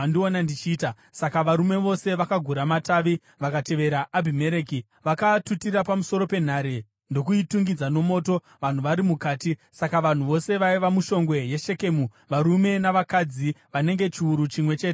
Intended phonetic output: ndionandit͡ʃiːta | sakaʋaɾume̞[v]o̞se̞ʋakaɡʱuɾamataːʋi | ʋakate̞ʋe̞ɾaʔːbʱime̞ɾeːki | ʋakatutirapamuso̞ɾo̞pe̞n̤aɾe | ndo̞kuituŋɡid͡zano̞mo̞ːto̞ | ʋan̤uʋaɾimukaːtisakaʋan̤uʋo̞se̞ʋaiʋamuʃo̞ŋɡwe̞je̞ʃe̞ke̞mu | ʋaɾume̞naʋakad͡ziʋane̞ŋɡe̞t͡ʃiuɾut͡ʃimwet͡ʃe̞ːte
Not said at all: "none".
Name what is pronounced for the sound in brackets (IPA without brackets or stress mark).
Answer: ʋ